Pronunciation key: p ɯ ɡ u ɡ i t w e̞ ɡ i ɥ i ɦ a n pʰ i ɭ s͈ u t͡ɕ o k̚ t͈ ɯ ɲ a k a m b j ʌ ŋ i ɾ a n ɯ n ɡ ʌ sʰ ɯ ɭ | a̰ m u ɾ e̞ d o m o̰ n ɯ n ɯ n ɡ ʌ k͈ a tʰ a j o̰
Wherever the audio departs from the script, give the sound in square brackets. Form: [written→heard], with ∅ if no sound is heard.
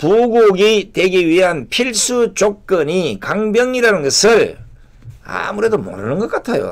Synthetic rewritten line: p [ɯ→u] ɡ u ɡ i t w e̞ ɡ i ɥ i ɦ a n pʰ i ɭ s͈ u t͡ɕ o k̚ [t͈→k͈] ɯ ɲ [a→i] k a [m→ŋ] b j ʌ ŋ i ɾ a n ɯ n ɡ ʌ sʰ ɯ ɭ | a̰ m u ɾ e̞ d o m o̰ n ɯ n ɯ n ɡ ʌ k͈ a tʰ a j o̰